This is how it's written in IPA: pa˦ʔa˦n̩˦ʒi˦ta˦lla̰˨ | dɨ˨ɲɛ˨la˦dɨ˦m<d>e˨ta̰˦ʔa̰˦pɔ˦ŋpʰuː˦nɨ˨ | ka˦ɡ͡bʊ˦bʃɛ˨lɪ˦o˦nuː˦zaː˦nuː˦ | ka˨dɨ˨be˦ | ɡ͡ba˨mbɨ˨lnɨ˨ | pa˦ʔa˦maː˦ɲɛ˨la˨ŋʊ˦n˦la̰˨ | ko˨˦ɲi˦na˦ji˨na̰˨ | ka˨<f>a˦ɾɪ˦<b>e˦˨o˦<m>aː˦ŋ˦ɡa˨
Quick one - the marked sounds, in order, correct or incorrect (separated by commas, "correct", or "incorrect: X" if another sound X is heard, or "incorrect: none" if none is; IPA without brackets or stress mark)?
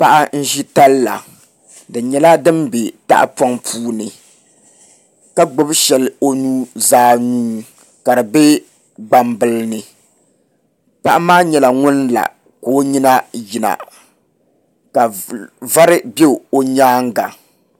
incorrect: b, incorrect: v, correct, incorrect: ɲ